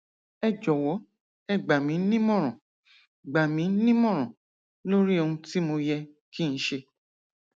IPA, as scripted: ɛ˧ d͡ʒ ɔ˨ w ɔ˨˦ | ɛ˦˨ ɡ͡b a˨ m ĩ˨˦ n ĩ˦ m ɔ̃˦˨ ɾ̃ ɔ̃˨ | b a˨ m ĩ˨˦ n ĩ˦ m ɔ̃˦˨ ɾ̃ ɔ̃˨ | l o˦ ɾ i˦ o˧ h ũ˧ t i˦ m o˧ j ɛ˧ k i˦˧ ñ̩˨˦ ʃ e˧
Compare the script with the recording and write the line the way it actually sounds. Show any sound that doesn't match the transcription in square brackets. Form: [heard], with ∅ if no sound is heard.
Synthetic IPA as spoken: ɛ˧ d͡ʒ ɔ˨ w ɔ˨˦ | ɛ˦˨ ɡ͡b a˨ m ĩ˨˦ n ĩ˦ m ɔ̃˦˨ ɾ̃ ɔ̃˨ | [ɡ͡b] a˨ m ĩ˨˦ n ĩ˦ m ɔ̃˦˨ ɾ̃ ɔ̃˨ | l o˦ ɾ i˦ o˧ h ũ˧ t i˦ m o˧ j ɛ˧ k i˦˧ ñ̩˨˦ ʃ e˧